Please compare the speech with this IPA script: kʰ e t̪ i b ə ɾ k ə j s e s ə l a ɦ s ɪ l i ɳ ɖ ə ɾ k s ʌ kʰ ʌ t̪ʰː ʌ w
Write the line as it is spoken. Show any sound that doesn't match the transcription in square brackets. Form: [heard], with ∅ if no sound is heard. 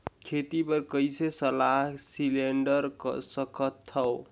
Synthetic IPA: kʰ e t̪ i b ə ɾ k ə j s e s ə l a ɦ s [i] l [e] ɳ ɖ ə ɾ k s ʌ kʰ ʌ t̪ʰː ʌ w